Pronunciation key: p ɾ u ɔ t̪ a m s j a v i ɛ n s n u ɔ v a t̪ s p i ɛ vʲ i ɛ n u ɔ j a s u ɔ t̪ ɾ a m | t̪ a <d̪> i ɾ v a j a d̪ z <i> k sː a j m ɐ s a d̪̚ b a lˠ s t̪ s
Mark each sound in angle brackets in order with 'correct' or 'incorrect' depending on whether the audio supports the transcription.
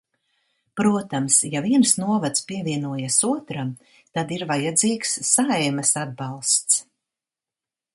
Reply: correct, incorrect: iː

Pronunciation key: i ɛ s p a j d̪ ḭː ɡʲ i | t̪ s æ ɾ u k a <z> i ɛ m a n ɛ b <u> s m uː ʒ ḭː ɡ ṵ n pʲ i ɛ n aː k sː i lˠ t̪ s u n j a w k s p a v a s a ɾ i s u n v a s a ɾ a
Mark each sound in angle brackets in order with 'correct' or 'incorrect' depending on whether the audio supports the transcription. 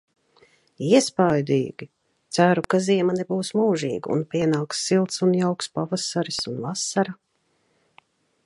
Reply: correct, incorrect: uː

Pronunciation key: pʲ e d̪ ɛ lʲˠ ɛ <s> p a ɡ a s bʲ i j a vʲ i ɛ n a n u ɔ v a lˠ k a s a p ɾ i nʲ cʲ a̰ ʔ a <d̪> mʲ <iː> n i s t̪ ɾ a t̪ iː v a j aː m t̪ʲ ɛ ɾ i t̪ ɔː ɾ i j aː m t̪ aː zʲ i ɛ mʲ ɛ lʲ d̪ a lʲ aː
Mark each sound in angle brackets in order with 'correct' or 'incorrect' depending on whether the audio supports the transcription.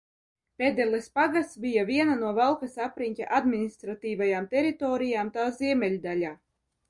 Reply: correct, correct, incorrect: i

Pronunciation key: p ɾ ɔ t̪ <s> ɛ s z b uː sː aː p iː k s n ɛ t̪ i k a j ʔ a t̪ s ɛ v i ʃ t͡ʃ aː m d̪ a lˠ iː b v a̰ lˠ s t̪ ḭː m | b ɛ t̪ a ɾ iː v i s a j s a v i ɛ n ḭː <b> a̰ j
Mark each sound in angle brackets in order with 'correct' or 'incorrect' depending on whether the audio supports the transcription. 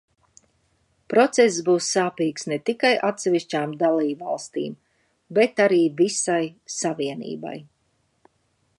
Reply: correct, correct

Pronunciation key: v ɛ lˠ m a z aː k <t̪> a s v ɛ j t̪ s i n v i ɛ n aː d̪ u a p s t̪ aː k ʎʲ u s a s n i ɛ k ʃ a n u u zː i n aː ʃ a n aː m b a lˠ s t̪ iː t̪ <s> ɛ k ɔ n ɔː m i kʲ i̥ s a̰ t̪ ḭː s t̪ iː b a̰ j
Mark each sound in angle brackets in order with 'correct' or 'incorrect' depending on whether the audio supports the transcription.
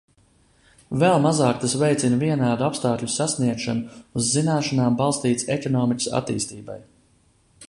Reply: correct, correct

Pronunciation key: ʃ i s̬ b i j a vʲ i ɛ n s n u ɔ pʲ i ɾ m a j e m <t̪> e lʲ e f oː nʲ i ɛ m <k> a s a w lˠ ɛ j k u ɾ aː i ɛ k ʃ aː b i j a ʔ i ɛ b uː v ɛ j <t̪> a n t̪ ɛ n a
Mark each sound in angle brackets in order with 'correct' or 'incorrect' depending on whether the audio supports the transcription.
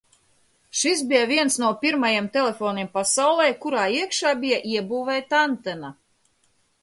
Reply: correct, incorrect: p, correct

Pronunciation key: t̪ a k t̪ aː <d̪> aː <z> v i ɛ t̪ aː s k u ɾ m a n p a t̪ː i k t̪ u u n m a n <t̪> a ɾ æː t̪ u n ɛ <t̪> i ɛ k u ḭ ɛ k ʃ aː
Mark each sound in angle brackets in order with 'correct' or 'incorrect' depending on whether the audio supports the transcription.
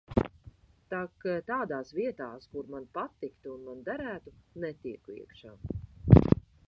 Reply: correct, incorrect: s, incorrect: d̪, correct

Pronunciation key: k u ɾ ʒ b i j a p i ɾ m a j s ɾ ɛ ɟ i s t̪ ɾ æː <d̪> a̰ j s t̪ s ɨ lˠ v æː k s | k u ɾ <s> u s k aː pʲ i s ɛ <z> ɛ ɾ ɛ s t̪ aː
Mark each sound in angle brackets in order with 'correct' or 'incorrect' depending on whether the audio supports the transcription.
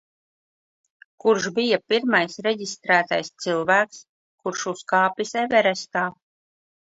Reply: incorrect: t̪, incorrect: ʃ, incorrect: v

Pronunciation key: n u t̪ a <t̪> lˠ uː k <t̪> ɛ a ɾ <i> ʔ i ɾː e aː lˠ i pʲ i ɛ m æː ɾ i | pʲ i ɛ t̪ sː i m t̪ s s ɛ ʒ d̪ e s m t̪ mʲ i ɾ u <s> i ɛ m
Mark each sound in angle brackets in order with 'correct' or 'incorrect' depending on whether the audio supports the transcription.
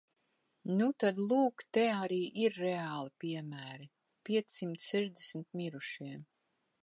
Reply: incorrect: d̪, correct, incorrect: iː, incorrect: ʃ

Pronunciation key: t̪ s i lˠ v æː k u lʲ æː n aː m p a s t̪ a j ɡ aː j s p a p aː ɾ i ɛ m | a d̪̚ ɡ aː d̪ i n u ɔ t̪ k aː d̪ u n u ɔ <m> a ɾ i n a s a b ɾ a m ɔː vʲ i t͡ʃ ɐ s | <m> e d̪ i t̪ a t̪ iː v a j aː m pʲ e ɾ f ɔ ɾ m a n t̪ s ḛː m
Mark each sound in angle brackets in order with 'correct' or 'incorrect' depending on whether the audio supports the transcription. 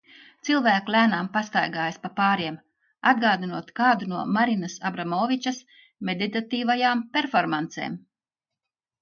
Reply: correct, correct

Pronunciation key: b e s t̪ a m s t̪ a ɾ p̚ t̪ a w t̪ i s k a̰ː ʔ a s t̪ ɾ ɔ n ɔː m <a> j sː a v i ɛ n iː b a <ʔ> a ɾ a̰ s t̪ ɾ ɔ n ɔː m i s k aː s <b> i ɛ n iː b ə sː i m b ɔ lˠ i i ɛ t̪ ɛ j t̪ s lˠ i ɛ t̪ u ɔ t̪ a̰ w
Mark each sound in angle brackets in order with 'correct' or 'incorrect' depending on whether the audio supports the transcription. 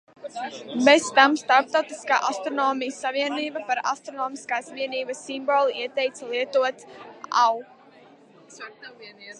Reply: incorrect: i, incorrect: p, incorrect: v

